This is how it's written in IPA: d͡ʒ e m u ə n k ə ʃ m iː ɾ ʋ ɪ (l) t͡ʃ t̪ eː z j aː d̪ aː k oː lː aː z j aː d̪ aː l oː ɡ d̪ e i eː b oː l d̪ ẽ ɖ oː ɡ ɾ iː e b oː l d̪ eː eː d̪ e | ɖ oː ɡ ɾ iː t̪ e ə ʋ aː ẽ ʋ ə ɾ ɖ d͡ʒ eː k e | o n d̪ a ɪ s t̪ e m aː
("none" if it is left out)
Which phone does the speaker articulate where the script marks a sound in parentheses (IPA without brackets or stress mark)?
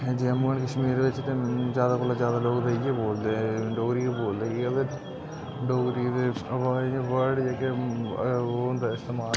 none